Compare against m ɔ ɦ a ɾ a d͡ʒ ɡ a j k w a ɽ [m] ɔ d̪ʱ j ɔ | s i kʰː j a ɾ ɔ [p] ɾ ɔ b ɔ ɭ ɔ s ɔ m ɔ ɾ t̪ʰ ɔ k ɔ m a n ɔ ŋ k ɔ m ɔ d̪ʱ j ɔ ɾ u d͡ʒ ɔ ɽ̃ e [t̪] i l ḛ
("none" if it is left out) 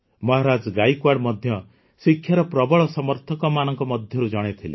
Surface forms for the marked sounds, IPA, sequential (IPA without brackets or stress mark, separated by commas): m, p, t̪ʰ